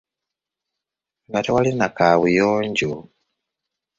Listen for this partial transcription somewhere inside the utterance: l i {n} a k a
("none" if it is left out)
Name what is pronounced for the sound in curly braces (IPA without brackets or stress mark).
n